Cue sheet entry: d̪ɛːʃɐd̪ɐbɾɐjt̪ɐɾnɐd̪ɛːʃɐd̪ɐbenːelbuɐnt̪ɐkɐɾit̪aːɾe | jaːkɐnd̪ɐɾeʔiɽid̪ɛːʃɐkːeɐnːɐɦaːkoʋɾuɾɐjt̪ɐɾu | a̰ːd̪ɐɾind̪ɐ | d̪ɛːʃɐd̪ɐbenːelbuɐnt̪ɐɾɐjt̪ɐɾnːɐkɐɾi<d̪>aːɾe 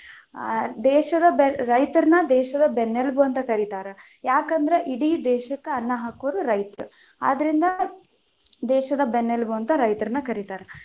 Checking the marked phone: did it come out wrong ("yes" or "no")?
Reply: yes